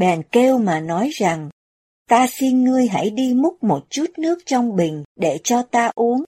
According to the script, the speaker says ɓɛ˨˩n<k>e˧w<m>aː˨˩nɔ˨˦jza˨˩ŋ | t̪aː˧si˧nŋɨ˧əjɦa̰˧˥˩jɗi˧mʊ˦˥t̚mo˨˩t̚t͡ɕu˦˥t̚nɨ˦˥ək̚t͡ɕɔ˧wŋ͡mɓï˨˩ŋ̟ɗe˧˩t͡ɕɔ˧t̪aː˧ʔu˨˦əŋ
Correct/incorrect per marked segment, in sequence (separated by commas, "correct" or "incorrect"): correct, correct